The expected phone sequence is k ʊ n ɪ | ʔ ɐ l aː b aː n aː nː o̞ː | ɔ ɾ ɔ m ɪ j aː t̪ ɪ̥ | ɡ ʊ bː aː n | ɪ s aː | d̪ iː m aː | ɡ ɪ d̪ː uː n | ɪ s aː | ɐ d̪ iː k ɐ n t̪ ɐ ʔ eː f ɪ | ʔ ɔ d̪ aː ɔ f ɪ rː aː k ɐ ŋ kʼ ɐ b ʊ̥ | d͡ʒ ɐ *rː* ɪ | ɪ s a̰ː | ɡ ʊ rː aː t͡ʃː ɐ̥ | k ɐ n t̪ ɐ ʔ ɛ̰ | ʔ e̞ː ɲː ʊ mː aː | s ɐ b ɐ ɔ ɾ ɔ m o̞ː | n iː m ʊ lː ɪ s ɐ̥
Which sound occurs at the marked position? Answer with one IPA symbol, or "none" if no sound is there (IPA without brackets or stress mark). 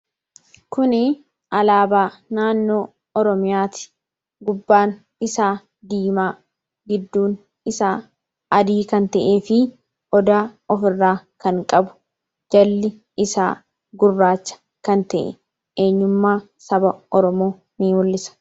lː